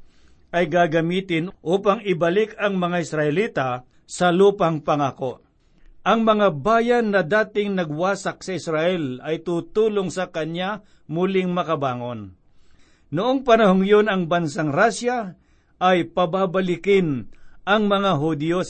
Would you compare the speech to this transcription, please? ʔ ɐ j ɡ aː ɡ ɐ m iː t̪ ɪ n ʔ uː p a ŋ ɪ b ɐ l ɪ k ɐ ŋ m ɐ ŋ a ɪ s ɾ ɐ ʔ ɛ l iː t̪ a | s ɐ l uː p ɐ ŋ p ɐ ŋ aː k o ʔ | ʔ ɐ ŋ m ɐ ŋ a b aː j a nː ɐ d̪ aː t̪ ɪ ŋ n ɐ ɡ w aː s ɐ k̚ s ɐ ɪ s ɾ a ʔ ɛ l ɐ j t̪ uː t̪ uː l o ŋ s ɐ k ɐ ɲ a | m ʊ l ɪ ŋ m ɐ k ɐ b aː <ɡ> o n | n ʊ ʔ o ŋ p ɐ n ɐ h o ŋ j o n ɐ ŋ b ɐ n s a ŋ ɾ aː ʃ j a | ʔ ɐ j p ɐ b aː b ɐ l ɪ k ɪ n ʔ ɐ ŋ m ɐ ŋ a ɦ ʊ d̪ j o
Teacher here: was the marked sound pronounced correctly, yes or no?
no